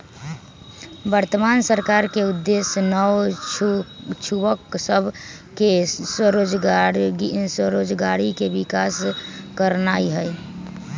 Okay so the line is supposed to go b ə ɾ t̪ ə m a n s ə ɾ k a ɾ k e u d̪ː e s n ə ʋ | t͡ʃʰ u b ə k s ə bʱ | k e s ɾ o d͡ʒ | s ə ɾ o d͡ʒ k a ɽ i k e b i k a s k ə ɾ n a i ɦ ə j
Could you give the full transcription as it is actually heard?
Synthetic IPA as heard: b ə ɾ t̪ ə m a n s ə ɾ k a ɾ k e u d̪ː e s n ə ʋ | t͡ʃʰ u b ə k s ə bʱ | k e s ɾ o d͡ʒ | s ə ɾ o d͡ʒ ɡ a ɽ i k e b i k a s k ə ɾ n a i ɦ ə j